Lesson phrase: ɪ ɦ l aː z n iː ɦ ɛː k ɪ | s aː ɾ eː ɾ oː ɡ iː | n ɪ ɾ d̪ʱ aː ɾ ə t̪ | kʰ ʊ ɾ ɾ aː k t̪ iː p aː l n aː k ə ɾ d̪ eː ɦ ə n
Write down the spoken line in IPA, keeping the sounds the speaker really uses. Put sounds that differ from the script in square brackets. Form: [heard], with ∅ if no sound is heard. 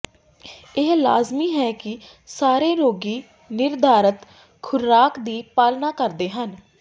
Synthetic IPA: ɪ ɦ l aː z [m] iː ɦ ɛː k ɪ | s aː ɾ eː ɾ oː ɡ iː | n ɪ ɾ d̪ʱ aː ɾ ə t̪ | kʰ ʊ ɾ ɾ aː k [d̪] iː p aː l n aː k ə ɾ d̪ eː ɦ ə n